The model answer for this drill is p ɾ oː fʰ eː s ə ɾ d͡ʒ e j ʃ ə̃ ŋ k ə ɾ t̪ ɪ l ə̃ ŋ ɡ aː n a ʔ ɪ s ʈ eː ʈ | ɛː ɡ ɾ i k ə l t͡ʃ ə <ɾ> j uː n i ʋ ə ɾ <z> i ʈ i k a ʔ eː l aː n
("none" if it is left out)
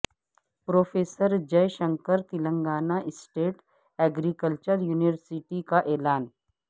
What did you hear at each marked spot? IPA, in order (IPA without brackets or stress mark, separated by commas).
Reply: ɾ, s